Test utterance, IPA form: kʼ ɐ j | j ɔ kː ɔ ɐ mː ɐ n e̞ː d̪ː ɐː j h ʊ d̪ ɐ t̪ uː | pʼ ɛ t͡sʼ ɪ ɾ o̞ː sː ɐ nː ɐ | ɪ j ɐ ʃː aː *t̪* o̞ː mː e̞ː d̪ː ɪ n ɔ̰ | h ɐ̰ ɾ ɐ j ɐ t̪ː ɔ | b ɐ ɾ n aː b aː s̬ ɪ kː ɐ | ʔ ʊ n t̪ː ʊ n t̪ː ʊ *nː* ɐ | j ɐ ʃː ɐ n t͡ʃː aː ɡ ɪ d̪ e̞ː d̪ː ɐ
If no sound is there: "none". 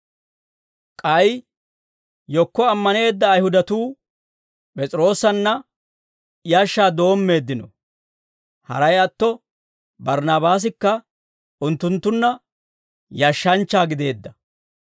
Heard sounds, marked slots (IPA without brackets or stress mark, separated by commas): d̪, nː